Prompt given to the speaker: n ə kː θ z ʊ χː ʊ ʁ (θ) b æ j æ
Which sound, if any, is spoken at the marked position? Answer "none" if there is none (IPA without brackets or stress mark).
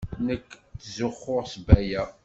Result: s